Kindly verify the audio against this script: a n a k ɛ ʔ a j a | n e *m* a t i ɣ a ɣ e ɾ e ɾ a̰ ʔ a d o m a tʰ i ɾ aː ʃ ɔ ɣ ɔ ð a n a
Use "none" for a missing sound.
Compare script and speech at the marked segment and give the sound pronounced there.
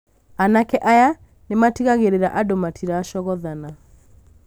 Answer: m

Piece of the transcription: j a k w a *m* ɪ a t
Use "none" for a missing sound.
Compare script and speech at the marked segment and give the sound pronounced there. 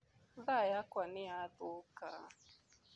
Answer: n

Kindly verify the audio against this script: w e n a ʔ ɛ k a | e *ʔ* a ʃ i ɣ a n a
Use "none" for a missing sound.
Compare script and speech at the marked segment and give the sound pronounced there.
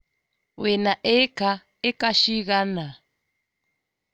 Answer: k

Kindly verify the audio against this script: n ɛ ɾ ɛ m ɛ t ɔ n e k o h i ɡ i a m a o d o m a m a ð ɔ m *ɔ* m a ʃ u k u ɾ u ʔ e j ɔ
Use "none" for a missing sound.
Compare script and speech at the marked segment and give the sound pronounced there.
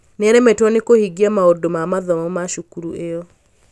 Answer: ɔ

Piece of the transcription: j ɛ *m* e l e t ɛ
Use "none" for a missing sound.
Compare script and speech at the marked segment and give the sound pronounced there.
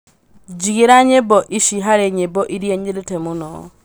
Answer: ɲ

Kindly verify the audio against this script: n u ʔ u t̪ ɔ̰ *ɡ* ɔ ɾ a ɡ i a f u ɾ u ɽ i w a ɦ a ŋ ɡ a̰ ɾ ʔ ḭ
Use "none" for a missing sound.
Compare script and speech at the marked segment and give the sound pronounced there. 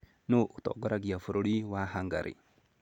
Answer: ɡ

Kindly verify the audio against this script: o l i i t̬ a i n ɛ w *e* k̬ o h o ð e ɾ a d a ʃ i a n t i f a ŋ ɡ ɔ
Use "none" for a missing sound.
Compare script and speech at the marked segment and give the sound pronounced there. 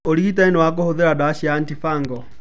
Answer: a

